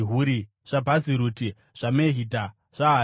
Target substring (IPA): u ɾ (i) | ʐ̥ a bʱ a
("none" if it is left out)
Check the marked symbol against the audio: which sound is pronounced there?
i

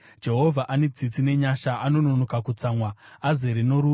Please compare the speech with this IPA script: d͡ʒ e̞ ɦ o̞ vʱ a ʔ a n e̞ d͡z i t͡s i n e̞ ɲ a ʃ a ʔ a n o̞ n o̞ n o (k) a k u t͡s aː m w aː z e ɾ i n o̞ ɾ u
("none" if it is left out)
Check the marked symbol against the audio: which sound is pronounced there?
k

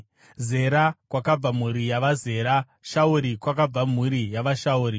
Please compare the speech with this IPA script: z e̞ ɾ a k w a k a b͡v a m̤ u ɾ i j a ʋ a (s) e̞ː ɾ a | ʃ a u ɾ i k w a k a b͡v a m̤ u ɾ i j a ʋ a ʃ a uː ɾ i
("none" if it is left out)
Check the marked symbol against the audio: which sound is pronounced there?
z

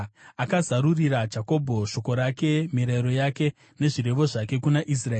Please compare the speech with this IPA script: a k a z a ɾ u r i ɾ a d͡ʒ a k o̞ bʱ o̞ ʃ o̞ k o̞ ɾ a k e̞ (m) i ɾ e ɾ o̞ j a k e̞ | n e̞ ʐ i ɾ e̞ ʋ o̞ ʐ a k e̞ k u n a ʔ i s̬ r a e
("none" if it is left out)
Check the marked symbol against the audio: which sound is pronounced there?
m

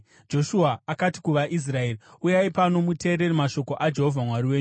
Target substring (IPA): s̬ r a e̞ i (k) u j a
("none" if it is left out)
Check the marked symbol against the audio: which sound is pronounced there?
none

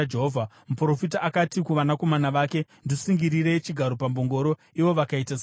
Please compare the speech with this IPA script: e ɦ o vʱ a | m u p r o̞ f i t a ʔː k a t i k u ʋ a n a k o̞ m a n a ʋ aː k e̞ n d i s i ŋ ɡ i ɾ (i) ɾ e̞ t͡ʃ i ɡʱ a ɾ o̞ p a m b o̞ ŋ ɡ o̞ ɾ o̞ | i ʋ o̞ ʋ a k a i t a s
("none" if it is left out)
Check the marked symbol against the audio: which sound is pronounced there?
i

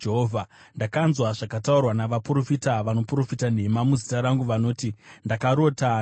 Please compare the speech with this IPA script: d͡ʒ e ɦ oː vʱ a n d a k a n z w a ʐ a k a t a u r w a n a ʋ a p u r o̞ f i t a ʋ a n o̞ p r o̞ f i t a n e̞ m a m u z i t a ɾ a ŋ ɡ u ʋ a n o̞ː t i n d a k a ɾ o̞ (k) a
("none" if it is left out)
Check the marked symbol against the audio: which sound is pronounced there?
t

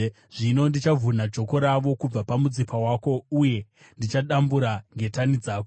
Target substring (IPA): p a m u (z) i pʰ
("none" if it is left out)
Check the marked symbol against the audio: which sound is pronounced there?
d͡z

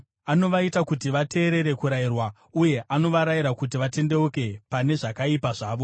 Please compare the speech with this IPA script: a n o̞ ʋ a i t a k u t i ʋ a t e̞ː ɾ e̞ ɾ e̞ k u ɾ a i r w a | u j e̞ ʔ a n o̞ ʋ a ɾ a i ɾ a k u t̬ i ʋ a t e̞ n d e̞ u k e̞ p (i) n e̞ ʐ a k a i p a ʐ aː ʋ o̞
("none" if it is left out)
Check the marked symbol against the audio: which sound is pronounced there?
a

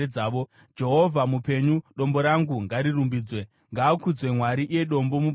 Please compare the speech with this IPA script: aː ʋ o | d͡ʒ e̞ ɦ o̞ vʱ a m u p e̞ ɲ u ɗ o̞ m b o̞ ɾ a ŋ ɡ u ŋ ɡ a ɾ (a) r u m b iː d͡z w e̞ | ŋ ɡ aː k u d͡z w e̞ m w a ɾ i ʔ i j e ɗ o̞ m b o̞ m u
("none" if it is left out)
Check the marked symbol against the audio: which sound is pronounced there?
i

